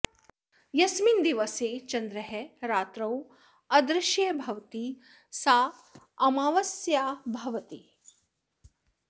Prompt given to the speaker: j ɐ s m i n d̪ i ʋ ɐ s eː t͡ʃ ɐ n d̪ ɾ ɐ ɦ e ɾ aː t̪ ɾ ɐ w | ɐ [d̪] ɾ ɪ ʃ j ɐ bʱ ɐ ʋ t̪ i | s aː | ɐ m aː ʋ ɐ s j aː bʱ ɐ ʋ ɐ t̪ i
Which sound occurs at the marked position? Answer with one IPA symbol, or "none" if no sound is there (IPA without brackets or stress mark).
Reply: d̪